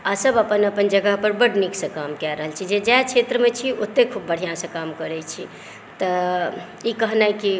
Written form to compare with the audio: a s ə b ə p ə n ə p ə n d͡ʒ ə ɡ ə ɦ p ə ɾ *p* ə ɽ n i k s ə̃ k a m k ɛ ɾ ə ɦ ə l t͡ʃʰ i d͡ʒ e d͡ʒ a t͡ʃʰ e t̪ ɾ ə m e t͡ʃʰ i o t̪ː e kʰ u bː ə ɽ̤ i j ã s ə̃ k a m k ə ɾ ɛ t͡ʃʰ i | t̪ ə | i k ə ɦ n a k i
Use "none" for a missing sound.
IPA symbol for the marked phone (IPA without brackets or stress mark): b